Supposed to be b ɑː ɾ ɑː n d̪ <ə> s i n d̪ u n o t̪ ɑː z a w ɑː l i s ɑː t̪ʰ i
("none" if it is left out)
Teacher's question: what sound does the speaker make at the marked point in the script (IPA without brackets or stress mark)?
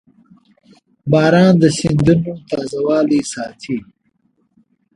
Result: ə